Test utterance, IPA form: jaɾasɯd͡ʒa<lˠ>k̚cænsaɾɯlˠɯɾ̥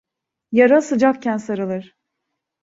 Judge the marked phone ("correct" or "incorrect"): incorrect